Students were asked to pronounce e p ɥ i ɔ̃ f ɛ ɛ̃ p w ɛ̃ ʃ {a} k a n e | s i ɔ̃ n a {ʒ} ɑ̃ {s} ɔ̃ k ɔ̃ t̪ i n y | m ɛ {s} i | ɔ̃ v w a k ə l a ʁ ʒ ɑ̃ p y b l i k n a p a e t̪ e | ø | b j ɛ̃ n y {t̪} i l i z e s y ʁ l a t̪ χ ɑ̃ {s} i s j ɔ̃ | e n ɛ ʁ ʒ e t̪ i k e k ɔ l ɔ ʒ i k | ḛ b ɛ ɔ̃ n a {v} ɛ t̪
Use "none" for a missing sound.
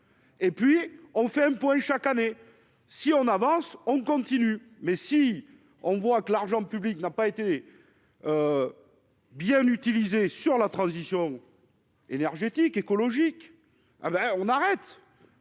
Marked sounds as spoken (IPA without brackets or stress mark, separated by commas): a, v, s, s, t̪, z, ʁ